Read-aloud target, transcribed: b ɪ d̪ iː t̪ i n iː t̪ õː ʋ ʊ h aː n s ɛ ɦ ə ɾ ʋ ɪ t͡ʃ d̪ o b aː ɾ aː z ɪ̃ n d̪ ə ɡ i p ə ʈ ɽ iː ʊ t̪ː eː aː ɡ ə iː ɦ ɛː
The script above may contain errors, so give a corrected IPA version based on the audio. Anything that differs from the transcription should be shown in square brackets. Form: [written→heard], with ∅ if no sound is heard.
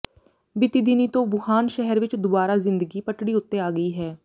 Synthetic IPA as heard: b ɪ [d̪→t̪] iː [t̪→d̪] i n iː t̪ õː ʋ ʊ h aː n [s→ʃ] ɛ ɦ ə ɾ ʋ ɪ t͡ʃ d̪ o b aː ɾ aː z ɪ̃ n d̪ ə ɡ [i→iː] p ə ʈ ɽ iː ʊ t̪ː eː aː ɡ ə iː ɦ ɛː